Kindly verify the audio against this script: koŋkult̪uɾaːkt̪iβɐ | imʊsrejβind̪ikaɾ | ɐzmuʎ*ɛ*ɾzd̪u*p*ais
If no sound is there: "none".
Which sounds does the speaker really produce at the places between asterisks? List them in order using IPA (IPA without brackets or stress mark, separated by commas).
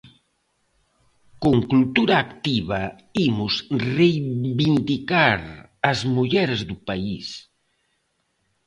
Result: ɛ, p